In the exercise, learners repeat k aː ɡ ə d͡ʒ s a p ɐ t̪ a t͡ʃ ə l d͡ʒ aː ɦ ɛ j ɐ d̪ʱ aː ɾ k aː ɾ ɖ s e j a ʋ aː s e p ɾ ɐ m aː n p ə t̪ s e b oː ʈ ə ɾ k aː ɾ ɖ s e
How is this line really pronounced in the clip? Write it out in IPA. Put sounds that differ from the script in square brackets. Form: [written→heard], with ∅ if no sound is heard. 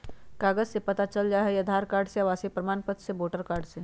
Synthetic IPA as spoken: k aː ɡ ə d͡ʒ s [a→e] p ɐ t̪ a t͡ʃ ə l d͡ʒ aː ɦ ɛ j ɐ d̪ʱ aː ɾ k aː ɾ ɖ s e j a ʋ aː s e p ɾ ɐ m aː n p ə t̪ s e b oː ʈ ə ɾ k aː ɾ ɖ s e